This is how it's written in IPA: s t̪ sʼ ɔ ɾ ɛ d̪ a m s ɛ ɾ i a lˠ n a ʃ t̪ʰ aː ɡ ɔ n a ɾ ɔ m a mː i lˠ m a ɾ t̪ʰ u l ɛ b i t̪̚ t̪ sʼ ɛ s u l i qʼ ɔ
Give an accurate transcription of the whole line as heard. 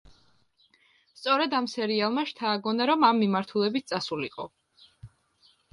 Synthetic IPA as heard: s t̪ sʼ ɔ ɾ ɛ d̪ a m s ɛ ɾ i a lˠ m a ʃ t̪ʰ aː ɡ ɔ n a ɾ ɔ m a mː i m a ɾ t̪ʰ u l ɛ b i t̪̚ t̪ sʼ a s u l i qʼ ɔ